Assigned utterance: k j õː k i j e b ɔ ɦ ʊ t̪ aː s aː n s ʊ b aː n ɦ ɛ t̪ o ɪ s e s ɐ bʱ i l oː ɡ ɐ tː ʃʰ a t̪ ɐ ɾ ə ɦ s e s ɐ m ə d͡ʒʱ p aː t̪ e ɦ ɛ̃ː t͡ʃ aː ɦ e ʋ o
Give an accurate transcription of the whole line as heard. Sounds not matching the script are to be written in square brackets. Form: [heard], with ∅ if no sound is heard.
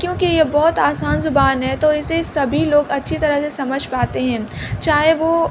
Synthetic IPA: k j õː k i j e b ɔ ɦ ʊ t̪ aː s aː n [z] ʊ b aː n ɦ ɛ t̪ o ɪ s e s ɐ bʱ i l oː ɡ ɐ tː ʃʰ [i] t̪ ɐ ɾ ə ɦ s e s ɐ m ə d͡ʒʱ p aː t̪ e ɦ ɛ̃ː t͡ʃ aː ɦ e ʋ o